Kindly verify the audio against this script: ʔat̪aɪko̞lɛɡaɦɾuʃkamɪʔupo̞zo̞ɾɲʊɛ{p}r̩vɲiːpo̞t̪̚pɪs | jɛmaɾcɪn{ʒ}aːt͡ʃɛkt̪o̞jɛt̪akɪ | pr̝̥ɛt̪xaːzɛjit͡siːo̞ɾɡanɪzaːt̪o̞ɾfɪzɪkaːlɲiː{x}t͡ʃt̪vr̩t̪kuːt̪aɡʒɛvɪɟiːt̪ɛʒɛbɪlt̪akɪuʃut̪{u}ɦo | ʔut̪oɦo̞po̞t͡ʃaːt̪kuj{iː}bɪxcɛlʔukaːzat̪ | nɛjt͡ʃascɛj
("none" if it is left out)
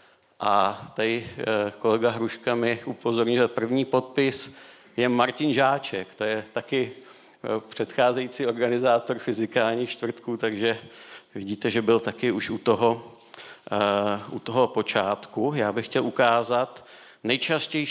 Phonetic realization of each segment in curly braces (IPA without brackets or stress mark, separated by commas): p, ʒ, x, o, aː